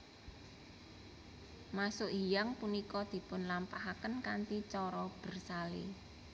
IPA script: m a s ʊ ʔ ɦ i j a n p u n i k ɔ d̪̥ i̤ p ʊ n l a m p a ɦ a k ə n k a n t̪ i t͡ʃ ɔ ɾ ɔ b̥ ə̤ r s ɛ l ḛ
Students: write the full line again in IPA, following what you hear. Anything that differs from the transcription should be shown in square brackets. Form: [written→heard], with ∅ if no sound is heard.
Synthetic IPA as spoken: m a s ʊ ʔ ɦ i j a [n→ŋ] p u n i k ɔ d̪̥ i̤ p ʊ n l a m p a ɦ a k ə n k a n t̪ i t͡ʃ ɔ ɾ ɔ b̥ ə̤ r s [ɛ→a] l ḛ